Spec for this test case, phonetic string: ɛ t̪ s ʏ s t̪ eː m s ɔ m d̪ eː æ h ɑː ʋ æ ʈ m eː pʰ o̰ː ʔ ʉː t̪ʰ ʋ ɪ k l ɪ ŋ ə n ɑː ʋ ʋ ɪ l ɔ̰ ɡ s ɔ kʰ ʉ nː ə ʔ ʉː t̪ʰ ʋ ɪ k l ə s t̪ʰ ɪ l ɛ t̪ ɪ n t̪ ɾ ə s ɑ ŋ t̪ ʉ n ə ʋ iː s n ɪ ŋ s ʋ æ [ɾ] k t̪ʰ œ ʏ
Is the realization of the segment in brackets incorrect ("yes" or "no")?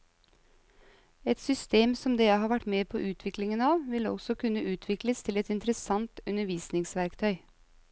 no